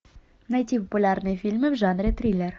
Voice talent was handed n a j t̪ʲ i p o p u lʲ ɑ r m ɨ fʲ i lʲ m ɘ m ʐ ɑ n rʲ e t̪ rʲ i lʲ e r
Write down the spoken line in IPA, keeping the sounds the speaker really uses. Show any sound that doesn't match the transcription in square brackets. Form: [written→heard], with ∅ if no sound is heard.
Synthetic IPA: n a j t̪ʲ i p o p u lʲ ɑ r [m→n] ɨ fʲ i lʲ m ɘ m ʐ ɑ n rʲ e t̪ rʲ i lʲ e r